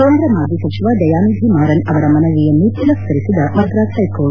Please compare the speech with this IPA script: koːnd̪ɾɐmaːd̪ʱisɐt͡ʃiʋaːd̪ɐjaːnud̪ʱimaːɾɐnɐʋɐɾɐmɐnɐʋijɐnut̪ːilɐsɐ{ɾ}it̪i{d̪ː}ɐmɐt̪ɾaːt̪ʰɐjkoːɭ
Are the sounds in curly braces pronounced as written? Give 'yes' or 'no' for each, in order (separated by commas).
yes, no